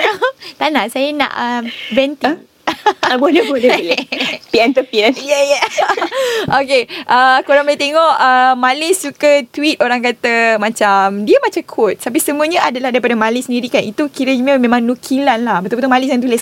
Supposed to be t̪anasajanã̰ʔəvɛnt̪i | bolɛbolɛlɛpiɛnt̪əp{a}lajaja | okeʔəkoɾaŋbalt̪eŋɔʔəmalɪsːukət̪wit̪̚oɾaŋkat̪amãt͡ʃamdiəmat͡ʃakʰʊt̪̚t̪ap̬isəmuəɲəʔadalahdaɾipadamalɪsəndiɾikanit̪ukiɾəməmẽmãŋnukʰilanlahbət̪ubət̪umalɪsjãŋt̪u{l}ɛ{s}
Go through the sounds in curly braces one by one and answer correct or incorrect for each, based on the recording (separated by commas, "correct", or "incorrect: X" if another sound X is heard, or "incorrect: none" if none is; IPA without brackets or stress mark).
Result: incorrect: i, correct, correct